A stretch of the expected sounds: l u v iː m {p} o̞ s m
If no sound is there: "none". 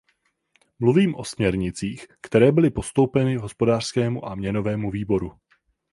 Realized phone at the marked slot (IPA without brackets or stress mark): ʔ